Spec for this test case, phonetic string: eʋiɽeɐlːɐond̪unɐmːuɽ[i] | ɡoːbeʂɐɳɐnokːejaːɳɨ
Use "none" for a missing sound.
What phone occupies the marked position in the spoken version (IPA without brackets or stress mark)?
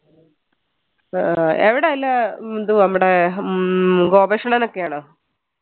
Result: e